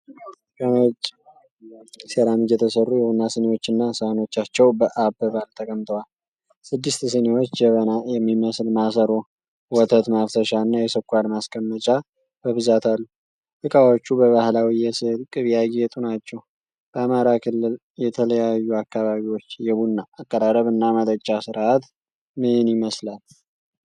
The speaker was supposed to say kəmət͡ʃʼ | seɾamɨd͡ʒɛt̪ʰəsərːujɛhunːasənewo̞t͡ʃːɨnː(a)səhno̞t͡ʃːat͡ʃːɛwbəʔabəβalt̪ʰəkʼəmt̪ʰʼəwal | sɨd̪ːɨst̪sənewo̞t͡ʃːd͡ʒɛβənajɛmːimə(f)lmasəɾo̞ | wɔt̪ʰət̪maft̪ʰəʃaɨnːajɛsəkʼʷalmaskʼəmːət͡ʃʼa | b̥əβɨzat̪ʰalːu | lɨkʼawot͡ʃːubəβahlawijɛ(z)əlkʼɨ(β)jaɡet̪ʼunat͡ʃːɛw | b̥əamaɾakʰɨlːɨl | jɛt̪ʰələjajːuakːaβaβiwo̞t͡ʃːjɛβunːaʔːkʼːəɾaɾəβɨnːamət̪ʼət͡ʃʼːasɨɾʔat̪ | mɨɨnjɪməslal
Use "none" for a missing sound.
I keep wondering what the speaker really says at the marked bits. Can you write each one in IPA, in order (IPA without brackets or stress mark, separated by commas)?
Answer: a, s, s, β